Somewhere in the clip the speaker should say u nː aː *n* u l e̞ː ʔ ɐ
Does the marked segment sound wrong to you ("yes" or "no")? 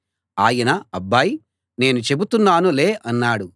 no